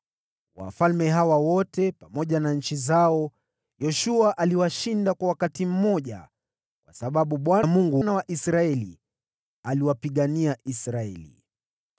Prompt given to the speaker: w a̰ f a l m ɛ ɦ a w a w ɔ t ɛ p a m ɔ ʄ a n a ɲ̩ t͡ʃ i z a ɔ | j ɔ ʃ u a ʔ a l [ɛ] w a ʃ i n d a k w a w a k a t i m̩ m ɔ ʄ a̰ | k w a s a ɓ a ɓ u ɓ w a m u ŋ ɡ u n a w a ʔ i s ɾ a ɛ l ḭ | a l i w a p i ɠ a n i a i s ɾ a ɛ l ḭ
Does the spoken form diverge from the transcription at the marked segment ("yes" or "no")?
yes